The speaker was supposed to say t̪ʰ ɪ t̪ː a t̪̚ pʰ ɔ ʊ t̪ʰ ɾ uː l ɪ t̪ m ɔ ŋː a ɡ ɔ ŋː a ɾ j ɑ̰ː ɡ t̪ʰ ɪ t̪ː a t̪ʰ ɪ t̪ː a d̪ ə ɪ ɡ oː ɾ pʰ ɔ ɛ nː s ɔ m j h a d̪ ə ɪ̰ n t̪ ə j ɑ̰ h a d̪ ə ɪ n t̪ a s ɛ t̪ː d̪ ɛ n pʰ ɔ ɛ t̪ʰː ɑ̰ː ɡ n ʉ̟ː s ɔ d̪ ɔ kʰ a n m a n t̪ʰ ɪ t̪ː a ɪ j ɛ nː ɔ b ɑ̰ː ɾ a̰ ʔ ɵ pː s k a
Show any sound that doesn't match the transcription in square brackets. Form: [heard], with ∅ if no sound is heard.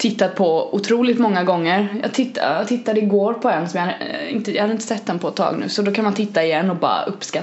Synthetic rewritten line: t̪ʰ ɪ t̪ː a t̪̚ pʰ ɔ ʊ t̪ʰ ɾ uː l ɪ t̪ m ɔ ŋː a ɡ ɔ ŋː [ə] ɾ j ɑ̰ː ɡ t̪ʰ ɪ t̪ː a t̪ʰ ɪ t̪ː a d̪ ə ɪ ɡ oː ɾ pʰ ɔ ɛ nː s ɔ m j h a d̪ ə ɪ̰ n t̪ ə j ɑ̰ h a d̪ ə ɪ n t̪ [ə] s ɛ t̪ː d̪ ɛ n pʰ ɔ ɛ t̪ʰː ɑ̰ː ɡ n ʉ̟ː s ɔ d̪ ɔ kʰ a n m a n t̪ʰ ɪ t̪ː a ɪ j ɛ nː ɔ b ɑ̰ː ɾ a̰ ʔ ɵ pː s k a